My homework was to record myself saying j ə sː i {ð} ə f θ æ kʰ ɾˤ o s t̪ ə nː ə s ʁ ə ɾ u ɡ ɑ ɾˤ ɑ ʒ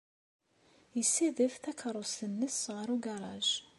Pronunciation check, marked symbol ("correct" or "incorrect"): correct